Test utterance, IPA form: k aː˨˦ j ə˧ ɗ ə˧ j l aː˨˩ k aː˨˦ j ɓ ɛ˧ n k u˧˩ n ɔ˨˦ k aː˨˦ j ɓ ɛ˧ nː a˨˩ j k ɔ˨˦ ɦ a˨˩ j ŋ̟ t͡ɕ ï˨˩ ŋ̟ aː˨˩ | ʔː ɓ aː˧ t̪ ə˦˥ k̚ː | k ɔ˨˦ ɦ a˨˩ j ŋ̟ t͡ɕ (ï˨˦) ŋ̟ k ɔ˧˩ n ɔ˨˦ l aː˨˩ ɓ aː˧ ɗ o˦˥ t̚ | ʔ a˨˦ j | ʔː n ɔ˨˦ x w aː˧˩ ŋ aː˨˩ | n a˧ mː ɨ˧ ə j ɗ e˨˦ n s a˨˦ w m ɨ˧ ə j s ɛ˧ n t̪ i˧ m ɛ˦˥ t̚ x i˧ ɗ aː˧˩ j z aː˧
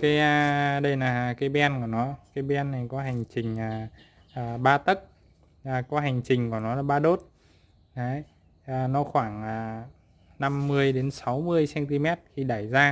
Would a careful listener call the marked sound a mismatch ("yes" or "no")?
yes